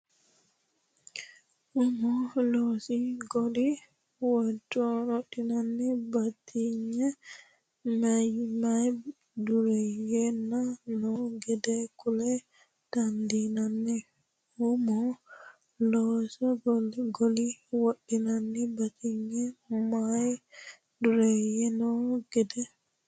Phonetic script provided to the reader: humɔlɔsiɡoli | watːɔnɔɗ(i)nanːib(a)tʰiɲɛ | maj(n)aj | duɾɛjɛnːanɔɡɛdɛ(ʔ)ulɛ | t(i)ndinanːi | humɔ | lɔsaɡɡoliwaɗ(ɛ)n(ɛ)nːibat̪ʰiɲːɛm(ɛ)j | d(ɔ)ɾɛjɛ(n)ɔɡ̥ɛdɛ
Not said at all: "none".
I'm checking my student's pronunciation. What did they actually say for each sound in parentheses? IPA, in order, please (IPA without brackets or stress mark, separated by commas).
i, a, m, k, a, i, a, a, u, n